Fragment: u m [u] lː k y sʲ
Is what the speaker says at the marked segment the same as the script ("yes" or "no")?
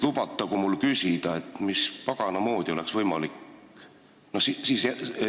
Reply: yes